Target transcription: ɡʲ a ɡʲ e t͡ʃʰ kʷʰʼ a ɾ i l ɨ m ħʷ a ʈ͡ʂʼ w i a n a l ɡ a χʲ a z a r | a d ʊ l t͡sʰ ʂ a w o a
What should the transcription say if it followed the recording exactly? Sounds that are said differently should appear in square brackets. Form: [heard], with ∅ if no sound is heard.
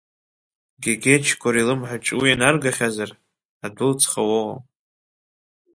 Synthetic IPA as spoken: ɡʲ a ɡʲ e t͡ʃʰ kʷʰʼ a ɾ i l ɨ m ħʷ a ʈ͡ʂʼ w i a n a [r] ɡ a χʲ a z a r | a d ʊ l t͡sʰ [χ] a w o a